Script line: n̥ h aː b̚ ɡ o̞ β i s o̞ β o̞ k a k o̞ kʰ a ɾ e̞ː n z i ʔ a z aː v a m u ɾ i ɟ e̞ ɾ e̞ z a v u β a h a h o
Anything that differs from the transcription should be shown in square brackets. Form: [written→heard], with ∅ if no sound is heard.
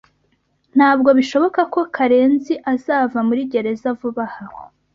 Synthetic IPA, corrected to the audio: n̥ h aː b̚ ɡ o̞ β i [s→ʃ] o̞ β o̞ k a k o̞ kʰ a ɾ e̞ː n z i ʔ a z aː v a m u ɾ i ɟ e̞ ɾ e̞ z a v u β a h a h o